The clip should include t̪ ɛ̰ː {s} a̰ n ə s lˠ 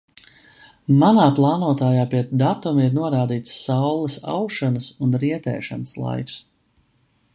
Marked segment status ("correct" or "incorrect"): incorrect